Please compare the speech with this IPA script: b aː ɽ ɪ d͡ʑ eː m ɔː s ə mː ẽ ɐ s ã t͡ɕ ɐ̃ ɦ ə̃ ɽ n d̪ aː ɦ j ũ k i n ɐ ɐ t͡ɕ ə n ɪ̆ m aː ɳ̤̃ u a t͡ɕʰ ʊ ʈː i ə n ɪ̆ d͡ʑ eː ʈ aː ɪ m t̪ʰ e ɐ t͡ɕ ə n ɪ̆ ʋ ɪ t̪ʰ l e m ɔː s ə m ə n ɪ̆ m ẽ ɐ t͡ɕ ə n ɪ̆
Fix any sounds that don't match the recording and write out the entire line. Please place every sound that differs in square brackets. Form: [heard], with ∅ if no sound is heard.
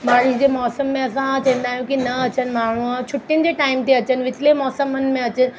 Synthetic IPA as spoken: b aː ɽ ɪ d͡ʑ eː m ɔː s ə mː ẽ ɐ s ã t͡ɕ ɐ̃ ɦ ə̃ [∅] n d̪ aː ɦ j ũ k i n ɐ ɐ t͡ɕ ə n ɪ̆ m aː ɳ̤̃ u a t͡ɕʰ ʊ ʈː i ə n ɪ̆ d͡ʑ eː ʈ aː ɪ m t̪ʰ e ɐ t͡ɕ ə n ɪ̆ ʋ ɪ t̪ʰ l e m ɔː s ə m ə n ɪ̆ m ẽ ɐ t͡ɕ ə n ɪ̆